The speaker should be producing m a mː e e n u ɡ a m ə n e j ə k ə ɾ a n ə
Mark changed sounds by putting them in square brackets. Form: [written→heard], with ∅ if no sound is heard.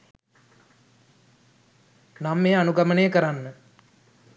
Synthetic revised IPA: [m→n] a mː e [e→a] n u ɡ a m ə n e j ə k ə ɾ a [n→nː] ə